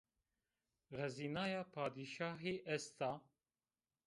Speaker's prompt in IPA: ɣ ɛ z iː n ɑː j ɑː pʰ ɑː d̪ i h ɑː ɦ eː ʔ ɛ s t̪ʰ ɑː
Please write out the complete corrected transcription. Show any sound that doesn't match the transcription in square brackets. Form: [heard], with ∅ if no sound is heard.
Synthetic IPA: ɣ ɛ z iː n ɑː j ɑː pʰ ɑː d̪ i [ʃ] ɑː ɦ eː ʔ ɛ s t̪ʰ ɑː